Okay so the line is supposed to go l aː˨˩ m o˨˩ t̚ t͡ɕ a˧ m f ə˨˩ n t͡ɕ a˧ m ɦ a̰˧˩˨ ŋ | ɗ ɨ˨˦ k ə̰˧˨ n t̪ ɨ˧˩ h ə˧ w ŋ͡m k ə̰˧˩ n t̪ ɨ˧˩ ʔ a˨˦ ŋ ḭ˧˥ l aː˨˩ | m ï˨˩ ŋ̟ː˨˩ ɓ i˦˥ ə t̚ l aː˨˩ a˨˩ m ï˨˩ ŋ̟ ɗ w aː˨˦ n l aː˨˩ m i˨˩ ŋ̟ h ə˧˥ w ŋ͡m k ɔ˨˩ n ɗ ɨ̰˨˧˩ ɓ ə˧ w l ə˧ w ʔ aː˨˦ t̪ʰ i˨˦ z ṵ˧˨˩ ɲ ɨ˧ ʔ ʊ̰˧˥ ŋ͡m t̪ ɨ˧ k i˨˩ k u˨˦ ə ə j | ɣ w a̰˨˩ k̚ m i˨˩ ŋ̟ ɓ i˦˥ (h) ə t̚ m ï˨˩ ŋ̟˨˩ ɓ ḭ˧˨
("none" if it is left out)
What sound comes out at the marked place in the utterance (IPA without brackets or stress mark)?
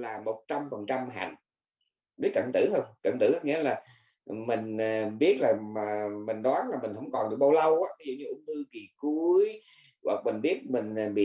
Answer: none